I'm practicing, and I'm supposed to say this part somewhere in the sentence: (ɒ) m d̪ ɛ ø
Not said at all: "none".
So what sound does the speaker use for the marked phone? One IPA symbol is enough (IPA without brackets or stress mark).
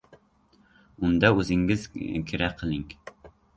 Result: u